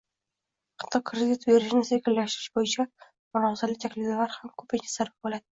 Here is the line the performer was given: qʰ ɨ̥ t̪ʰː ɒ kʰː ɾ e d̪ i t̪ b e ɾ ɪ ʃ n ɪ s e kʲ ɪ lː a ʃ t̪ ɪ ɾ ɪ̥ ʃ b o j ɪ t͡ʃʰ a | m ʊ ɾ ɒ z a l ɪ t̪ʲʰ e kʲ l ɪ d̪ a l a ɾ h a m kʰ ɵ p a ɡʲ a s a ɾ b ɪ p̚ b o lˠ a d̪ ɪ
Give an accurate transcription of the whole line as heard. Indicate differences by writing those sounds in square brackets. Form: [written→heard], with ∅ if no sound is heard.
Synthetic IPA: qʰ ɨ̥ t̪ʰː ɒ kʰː ɾ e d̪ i t̪ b e ɾ ɪ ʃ n ɪ s e kʲ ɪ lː a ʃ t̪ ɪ ɾ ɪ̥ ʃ b o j ɪ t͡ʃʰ a | m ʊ ɾ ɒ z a l ɪ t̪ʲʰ [e→a] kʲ l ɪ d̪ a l a ɾ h a m kʰ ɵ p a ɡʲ a s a ɾ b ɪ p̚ b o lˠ a d̪ ɪ